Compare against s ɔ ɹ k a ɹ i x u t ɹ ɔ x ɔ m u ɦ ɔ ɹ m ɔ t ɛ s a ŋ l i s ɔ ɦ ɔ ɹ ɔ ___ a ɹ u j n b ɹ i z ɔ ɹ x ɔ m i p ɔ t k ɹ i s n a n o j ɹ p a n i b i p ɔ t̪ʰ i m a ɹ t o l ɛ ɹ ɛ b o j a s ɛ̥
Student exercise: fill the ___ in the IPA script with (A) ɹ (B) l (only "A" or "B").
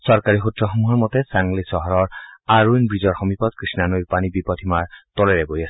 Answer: A